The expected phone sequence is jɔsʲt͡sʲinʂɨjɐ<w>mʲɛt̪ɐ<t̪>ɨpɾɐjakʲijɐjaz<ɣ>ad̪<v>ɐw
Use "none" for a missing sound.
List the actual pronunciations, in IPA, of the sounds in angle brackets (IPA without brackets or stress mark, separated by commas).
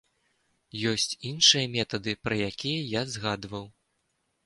none, d̪, ɣ, v